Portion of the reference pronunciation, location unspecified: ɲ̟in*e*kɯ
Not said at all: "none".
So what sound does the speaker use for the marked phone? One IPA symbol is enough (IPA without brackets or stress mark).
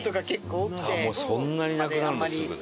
a